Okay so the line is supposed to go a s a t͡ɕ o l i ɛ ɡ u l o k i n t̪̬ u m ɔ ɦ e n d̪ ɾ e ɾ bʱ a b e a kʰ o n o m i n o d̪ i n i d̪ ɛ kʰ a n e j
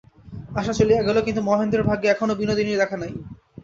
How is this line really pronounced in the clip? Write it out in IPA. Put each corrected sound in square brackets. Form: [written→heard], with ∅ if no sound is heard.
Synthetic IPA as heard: a [s→ʃ] a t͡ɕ o l i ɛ ɡ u l o k i n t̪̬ u m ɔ ɦ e n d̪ ɾ e ɾ bʱ a [b→ɡ] e [a→ɛ] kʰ o n o [m→b] i n o d̪ i n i d̪ ɛ kʰ a n [e→a] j